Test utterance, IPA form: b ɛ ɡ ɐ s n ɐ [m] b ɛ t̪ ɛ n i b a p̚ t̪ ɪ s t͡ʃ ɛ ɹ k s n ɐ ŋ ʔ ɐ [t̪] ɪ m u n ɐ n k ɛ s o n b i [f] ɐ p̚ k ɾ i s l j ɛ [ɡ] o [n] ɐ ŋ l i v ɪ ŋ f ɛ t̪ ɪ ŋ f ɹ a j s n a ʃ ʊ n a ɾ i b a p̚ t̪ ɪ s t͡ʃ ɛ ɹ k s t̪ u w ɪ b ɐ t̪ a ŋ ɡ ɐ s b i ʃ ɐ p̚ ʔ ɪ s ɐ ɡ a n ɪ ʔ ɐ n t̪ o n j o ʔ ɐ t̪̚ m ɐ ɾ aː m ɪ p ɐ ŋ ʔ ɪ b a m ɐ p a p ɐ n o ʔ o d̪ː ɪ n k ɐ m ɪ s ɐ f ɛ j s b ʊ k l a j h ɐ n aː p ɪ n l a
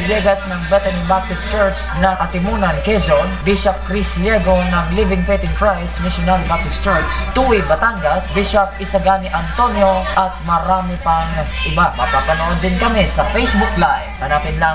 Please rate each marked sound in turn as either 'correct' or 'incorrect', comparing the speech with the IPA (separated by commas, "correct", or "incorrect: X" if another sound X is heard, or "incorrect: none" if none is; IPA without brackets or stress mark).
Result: incorrect: ŋ, correct, incorrect: ʃ, correct, correct